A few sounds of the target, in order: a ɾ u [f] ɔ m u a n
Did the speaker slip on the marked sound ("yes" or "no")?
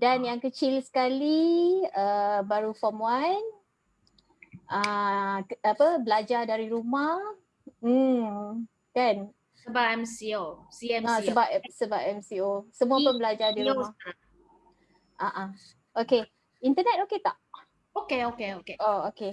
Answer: no